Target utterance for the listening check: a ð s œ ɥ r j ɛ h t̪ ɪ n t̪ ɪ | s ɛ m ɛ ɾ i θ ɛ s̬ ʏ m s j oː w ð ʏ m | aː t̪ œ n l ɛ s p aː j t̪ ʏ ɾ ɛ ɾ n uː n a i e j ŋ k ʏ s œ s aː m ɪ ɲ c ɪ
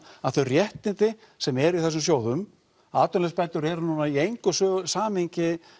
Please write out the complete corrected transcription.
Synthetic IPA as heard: a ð θ œ ɥ r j ɛ h t̪ ɪ n t̪ ɪ | s ɛ m ɛ ɾ i θ ɛ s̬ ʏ m s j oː w ð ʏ m | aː t̪ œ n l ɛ s p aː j t̪ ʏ ɾ ɛ ɾ n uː n a i e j ŋ k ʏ s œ s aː m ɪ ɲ c ɪ